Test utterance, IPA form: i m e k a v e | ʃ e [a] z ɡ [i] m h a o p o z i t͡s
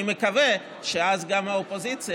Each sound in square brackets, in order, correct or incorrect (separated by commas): correct, incorrect